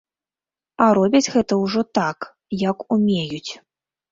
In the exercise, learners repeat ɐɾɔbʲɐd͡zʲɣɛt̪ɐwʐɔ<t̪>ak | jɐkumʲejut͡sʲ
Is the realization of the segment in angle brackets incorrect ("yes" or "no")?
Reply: no